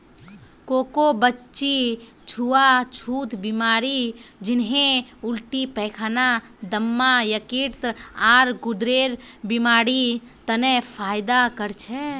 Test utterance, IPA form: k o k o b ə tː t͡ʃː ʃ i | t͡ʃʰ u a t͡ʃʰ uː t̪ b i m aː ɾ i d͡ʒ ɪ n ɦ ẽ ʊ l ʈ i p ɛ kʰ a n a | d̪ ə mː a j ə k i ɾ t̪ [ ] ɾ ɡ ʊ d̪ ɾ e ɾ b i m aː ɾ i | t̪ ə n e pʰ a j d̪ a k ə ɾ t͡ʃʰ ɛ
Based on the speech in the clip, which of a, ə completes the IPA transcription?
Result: a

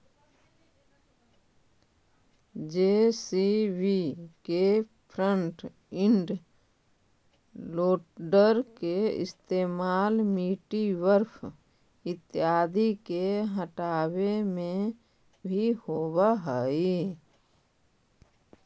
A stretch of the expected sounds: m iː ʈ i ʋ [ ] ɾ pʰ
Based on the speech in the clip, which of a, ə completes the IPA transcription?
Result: ə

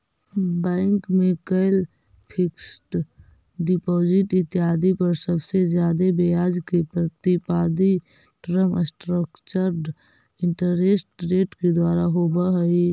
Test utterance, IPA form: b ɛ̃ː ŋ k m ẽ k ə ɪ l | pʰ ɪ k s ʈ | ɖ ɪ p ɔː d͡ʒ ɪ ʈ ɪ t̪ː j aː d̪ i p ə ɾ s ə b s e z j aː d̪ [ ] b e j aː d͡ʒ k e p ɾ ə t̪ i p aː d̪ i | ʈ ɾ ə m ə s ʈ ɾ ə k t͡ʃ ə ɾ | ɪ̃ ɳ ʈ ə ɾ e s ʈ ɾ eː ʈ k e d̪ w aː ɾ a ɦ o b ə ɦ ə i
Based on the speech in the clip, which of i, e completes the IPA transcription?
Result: e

